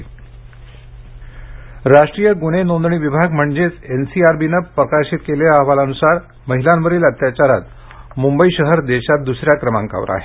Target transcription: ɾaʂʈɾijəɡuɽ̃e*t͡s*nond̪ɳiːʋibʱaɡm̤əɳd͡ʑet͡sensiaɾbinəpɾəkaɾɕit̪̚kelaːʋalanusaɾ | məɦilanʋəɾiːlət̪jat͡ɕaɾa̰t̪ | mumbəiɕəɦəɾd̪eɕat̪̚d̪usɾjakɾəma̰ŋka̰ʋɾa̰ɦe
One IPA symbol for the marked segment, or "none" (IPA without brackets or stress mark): none